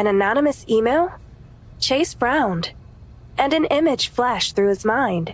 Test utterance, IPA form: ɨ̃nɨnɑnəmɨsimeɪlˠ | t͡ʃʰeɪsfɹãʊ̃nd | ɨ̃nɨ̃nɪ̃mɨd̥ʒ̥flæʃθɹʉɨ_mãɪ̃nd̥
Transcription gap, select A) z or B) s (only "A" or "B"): A